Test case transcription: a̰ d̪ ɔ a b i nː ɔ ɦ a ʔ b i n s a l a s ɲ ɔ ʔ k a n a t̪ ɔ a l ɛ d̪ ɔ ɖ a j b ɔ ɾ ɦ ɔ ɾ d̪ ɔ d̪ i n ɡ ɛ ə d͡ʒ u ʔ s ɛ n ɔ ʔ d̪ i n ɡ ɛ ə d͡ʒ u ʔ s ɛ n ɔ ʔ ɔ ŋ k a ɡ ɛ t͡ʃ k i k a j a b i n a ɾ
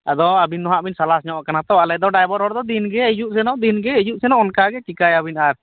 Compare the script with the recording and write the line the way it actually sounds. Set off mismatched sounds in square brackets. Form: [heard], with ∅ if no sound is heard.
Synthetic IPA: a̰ d̪ ɔ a b i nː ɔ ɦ a ʔ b i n s a l a s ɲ ɔ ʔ k a n a t̪ ɔ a l ɛ d̪ ɔ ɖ a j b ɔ ɾ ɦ ɔ ɾ d̪ ɔ d̪ i n ɡ ɛ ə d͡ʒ u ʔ s ɛ n ɔ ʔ d̪ i n ɡ ɛ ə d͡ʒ u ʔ s ɛ n ɔ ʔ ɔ [n] k a ɡ ɛ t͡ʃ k i k a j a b i n a ɾ